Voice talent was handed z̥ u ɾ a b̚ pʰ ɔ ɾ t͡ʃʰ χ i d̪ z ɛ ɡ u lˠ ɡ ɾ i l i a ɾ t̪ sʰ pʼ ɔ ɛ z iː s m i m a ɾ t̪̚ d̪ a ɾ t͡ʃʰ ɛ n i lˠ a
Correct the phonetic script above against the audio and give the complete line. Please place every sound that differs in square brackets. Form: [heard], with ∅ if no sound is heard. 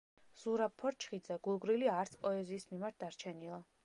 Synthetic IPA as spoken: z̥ u ɾ a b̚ pʰ ɔ ɾ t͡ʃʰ χ i d̪ z ɛ ɡ u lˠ ɡ ɾ i l i a ɾ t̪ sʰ pʼ ɔ ɛ z iː s m i m a ɾ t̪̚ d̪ a ɾ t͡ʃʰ ɛ n i lˠ a